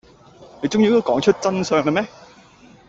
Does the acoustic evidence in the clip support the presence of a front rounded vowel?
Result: yes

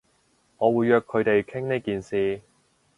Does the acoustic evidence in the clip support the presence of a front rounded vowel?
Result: yes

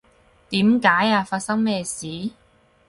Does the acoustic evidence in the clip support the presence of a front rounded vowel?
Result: no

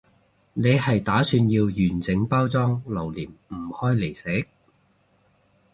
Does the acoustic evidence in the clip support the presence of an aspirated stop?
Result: no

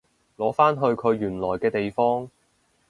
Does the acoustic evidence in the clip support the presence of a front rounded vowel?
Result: yes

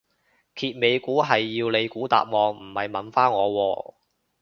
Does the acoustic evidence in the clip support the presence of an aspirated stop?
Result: yes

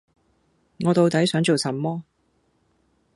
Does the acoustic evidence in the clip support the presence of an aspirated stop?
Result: no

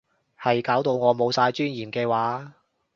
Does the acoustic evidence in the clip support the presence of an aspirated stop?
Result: no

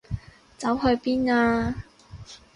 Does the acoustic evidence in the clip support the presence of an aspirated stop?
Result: no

